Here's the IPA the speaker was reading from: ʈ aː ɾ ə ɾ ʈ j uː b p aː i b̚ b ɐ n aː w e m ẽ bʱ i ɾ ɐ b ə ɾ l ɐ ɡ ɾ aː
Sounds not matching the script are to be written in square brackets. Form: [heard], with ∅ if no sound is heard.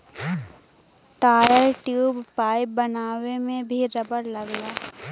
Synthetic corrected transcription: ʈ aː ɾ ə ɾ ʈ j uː b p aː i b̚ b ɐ n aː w e m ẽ bʱ i ɾ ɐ b ə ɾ l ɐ ɡ [l] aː